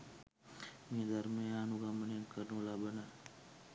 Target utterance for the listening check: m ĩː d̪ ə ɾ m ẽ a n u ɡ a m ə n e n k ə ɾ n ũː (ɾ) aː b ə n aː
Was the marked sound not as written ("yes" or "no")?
yes